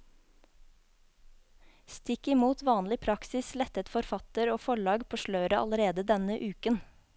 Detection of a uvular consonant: absent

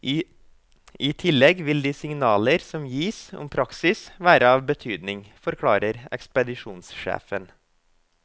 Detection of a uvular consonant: absent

